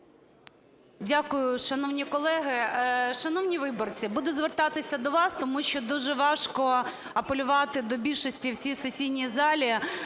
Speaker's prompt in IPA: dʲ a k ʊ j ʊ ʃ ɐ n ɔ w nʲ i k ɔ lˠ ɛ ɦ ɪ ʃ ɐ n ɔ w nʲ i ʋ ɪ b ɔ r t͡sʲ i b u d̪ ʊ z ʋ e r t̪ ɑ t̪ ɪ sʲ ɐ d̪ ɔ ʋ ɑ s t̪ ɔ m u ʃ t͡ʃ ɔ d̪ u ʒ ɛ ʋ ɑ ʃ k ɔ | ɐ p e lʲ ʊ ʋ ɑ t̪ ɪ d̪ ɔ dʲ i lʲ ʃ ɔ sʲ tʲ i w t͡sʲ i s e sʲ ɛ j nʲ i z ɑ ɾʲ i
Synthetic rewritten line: dʲ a k ʊ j ʊ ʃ ɐ n ɔ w nʲ i k ɔ lˠ ɛ ɦ ɪ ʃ ɐ n ɔ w nʲ i ʋ ɪ b ɔ r t͡sʲ i b u d̪ ʊ z ʋ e r t̪ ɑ t̪ ɪ sʲ ɐ d̪ ɔ ʋ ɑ s t̪ ɔ m u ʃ t͡ʃ ɔ d̪ u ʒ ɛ ʋ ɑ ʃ k ɔ | ɐ p e lʲ ʊ ʋ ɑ t̪ ɪ d̪ ɔ bʲ i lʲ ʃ ɔ sʲ tʲ i w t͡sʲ i s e sʲ i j nʲ i z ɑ lʲ i